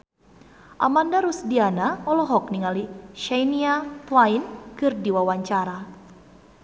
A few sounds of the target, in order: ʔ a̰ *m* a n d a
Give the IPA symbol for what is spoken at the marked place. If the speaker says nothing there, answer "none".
m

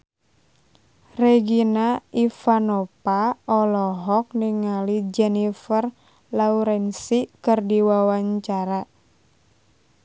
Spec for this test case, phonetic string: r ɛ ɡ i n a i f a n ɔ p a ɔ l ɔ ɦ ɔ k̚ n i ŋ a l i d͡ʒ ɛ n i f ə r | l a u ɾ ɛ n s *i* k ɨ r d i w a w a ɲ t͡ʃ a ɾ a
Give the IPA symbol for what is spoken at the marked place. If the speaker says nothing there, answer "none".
i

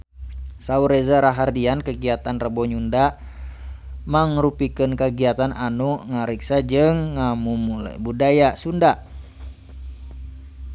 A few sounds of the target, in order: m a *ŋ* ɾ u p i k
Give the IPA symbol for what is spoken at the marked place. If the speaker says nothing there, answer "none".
ŋ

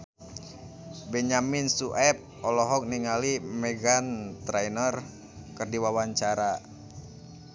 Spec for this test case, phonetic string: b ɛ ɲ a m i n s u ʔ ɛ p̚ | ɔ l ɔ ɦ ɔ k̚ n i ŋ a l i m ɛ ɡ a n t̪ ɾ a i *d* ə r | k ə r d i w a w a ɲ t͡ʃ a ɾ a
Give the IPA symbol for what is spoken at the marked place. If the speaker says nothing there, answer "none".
n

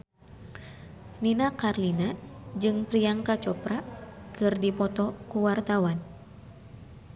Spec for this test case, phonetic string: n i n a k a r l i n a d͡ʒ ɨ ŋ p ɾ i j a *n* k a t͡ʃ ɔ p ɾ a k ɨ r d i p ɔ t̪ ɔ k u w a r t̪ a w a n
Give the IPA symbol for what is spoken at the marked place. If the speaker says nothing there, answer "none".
ŋ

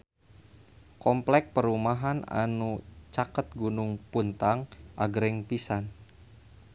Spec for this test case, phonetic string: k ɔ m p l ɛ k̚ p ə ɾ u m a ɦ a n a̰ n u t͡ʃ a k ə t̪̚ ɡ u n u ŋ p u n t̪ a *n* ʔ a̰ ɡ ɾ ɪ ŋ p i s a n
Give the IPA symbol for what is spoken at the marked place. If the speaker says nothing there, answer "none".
ŋ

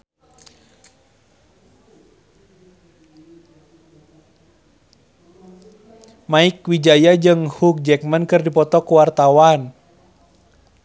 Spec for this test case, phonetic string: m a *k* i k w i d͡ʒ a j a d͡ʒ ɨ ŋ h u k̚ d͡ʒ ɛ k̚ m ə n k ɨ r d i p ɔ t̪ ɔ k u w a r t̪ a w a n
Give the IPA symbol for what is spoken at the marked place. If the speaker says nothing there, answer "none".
none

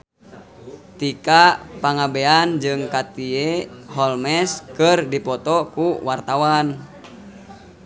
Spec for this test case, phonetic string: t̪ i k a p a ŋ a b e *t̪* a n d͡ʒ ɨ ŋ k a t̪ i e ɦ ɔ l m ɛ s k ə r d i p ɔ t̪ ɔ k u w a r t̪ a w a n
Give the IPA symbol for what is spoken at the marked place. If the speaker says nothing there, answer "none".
none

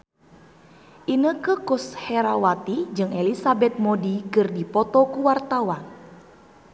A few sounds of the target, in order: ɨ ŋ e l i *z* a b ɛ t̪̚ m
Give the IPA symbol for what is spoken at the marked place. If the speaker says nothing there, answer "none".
s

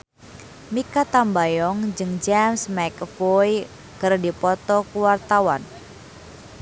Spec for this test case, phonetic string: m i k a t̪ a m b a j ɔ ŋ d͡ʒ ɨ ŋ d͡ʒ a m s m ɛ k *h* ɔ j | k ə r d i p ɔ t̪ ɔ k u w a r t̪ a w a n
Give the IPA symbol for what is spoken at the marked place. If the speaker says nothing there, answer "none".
f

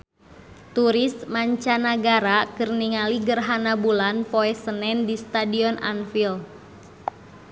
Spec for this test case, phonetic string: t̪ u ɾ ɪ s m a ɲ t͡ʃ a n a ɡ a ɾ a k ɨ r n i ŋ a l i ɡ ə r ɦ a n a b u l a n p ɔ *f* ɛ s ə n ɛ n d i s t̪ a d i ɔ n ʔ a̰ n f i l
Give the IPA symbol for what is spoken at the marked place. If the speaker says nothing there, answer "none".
none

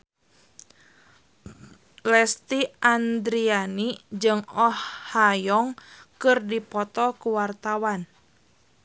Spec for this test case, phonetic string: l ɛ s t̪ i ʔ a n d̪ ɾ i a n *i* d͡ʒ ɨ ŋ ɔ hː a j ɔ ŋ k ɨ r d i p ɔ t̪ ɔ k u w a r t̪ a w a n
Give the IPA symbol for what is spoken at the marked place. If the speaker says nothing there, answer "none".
i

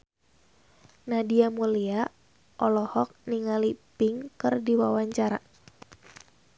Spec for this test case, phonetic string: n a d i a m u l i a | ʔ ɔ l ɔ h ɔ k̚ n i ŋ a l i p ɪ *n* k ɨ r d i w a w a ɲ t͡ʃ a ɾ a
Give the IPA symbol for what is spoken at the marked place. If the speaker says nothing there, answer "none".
ŋ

